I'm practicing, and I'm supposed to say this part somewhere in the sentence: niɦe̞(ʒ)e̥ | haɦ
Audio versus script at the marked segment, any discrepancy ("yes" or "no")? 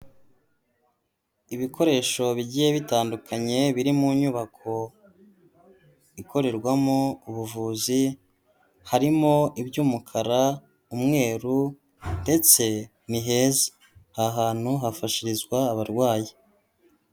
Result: yes